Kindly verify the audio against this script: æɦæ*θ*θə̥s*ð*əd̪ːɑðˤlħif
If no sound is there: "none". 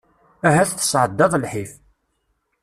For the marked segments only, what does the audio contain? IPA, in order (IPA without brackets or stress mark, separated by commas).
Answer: θ, ʕ